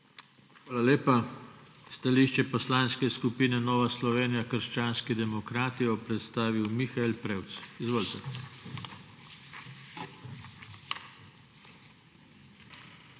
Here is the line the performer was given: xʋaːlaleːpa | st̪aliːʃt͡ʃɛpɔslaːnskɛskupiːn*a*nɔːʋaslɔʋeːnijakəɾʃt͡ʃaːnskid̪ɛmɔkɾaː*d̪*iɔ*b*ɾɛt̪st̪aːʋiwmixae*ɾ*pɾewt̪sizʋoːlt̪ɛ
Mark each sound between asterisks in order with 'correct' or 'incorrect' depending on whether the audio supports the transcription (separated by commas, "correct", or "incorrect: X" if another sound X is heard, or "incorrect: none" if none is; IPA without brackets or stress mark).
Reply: incorrect: ɛ, incorrect: t̪, incorrect: p, incorrect: l